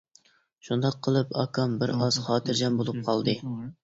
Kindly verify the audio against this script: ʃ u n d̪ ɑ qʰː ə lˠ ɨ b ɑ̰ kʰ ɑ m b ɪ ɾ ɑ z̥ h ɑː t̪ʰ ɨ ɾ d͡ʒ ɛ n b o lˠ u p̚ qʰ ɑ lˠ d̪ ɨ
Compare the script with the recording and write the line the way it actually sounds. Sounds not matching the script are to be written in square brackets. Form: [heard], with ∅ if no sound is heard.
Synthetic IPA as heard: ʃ u n d̪ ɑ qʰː ə lˠ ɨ [p] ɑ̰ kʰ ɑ m b ɪ ɾ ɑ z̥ [χ] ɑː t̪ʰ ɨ ɾ d͡ʒ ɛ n b o lˠ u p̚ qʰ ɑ lˠ d̪ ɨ

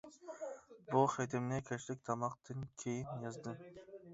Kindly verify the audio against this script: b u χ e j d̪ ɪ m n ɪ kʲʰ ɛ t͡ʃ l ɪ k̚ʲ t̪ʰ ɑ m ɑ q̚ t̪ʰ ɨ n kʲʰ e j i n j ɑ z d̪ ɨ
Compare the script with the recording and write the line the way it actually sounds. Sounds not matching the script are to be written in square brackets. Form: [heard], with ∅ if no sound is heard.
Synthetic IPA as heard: b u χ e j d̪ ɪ m n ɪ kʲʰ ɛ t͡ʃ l ɪ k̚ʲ t̪ʰ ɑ m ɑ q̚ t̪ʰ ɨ n kʲʰ e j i n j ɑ z d̪ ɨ

